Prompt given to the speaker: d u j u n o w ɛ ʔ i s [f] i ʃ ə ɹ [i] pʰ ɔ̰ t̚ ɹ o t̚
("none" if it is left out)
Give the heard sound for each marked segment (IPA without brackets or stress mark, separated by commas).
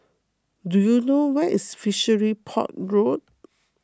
f, i